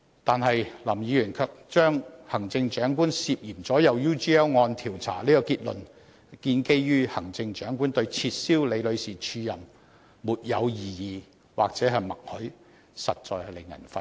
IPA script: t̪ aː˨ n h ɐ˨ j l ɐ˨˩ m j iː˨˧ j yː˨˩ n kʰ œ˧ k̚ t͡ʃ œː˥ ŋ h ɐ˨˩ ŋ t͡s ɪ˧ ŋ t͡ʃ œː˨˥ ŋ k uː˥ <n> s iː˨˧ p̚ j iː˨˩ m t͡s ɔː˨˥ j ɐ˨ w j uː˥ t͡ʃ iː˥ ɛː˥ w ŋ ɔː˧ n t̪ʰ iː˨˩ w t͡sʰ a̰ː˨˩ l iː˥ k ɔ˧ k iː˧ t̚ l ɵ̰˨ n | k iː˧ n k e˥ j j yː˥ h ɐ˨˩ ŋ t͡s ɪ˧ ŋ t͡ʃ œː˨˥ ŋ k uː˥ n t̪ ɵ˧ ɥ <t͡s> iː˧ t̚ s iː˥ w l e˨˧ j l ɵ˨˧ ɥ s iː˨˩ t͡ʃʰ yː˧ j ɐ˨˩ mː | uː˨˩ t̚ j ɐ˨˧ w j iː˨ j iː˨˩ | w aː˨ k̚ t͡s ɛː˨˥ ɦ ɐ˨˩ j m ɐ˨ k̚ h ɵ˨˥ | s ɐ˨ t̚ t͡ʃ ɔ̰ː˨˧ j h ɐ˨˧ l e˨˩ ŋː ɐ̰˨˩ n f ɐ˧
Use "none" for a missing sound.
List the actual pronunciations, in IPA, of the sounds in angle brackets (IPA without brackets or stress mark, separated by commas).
n, t͡sʰ